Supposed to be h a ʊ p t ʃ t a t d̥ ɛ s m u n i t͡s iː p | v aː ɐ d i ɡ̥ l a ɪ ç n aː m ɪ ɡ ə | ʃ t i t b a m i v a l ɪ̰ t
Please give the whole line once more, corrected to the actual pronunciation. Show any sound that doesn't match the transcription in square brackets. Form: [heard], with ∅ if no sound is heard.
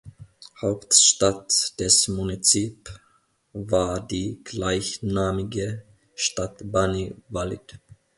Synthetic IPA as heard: h a ʊ p t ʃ t a t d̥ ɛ s m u n i t͡s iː p | v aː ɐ d [iː] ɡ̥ l a ɪ ç n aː m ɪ ɡ ə | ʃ t [a] t b a [n] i v a l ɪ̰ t